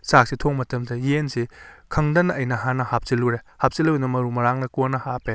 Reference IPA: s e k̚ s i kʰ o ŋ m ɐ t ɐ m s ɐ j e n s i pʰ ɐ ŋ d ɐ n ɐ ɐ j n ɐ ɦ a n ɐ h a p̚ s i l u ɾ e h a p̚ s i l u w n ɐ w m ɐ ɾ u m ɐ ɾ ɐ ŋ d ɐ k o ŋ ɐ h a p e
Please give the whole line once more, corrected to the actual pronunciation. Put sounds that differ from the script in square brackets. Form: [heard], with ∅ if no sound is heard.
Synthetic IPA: s [a] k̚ s i [tʰ] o ŋ m ɐ t ɐ m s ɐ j e n s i [kʰ] ɐ ŋ d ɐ n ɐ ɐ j n ɐ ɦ a n ɐ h a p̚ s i l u ɾ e h a p̚ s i l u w n ɐ [∅] m ɐ ɾ u m ɐ ɾ [a] ŋ [n] ɐ k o [n] ɐ h a p e